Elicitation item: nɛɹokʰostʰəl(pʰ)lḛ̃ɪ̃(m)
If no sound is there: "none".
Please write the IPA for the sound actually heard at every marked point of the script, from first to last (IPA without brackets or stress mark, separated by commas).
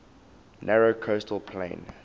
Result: pʰ, n